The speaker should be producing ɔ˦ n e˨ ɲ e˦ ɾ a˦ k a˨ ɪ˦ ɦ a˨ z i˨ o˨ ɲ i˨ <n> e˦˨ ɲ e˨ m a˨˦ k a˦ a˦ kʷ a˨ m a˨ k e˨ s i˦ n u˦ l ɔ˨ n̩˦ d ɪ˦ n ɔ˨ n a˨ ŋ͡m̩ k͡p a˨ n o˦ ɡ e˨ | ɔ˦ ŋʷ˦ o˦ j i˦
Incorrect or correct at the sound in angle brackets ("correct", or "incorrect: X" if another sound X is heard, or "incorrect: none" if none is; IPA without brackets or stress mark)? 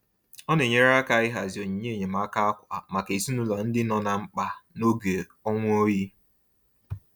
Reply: incorrect: ɲ